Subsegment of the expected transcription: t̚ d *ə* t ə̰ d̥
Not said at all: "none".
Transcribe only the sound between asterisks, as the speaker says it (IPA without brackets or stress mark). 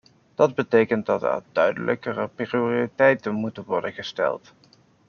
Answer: ɑ